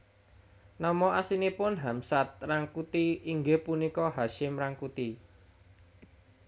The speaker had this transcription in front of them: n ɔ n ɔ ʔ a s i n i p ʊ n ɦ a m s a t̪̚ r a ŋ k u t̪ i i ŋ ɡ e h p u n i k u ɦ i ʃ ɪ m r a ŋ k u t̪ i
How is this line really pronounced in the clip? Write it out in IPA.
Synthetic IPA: n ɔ m ɔ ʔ a s i n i p ʊ n ɦ a m s a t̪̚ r a ŋ k u t̪ i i ŋ ɡ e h p u n i k ɔ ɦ a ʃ ɪ m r a ŋ k u t̪ i